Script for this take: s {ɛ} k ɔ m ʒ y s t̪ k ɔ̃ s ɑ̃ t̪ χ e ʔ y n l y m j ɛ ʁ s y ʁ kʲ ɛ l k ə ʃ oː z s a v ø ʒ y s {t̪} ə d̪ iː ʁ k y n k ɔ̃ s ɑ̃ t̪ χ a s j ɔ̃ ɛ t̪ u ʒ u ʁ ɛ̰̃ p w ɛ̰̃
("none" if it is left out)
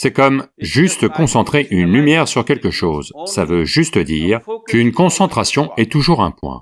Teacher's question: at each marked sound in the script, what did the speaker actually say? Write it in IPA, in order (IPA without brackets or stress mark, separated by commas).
ɛ, t̪